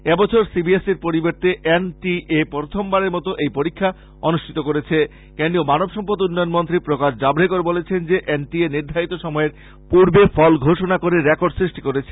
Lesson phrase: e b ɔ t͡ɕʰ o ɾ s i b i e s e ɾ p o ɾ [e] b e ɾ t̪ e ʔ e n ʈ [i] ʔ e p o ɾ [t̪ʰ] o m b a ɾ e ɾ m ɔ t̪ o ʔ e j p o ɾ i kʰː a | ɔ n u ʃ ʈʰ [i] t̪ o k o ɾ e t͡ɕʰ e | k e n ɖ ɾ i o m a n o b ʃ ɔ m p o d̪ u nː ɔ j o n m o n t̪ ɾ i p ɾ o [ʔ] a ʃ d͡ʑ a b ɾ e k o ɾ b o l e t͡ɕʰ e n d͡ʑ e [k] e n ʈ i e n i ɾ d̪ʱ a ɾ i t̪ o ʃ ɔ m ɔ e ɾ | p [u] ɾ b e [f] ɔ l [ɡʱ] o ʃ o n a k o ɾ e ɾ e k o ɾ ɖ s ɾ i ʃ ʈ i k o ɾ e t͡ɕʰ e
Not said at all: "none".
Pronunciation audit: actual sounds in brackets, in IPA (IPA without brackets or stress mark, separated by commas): i, i, t̪ʰ, i, k, ʔ, u, f, ɡʱ